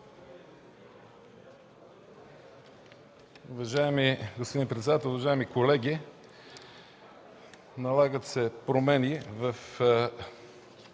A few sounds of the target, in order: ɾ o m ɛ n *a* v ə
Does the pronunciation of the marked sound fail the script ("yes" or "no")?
yes